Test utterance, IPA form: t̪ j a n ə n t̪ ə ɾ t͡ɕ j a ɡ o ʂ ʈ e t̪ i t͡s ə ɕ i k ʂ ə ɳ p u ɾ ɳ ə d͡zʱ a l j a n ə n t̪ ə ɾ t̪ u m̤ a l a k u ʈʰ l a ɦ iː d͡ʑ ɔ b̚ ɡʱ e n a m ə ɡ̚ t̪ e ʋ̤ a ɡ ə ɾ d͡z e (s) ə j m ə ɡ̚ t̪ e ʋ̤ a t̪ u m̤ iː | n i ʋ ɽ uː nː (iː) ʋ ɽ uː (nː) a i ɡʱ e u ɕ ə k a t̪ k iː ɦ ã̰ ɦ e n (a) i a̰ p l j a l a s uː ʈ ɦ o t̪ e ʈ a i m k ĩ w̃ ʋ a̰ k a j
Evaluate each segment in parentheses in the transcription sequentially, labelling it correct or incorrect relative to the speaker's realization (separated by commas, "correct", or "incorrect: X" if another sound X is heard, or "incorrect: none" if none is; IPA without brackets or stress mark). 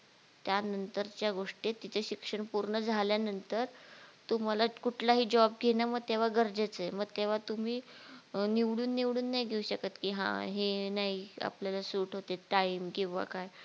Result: incorrect: t͡s, incorrect: i, correct, correct